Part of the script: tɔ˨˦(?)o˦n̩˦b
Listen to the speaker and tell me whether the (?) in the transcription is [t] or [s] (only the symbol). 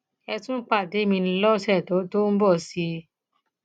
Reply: t